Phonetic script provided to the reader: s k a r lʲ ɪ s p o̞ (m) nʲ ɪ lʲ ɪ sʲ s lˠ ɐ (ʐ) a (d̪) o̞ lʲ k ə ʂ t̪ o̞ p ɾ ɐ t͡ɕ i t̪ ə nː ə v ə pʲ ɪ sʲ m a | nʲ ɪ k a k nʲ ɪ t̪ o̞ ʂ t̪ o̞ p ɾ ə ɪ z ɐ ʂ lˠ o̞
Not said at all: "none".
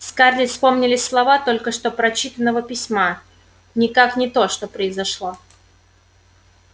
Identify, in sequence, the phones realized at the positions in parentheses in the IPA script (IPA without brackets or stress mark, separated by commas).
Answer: m, v, t̪